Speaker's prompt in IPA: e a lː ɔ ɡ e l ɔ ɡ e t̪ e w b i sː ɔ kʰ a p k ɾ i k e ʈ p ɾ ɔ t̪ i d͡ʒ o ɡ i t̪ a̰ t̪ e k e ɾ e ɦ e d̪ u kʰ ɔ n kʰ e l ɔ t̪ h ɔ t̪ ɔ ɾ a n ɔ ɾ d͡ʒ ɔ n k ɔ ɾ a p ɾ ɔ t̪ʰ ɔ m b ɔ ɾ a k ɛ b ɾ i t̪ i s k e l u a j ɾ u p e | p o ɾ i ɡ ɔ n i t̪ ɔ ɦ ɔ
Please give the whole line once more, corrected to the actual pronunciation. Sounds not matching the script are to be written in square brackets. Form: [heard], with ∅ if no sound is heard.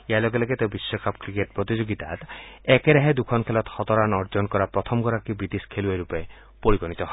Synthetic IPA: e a [l] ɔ ɡ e l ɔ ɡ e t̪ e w b i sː ɔ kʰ a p k ɾ i k e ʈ p ɾ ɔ t̪ i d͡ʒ o ɡ i t̪ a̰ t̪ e k e ɾ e ɦ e d̪ u kʰ ɔ n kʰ e l ɔ t̪ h ɔ t̪ ɔ ɾ a n ɔ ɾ d͡ʒ ɔ n k ɔ ɾ a p ɾ ɔ t̪ʰ ɔ m [ɡ] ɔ ɾ a k [i] b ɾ i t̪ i s [kʰ] e l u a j ɾ u p e | p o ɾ i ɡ ɔ n i t̪ ɔ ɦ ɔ